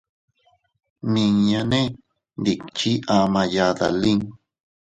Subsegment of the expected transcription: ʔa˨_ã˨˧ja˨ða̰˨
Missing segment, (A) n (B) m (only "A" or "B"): B